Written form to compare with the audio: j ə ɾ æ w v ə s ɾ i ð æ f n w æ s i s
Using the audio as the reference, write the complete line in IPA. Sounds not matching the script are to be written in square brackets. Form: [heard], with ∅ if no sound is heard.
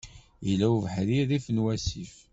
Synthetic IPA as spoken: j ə [l] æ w v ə [ħ] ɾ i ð [i] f n w æ s i [f]